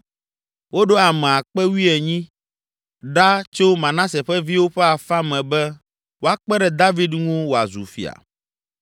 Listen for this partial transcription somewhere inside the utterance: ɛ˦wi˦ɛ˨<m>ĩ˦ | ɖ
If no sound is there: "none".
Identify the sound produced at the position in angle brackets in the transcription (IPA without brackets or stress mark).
ɲ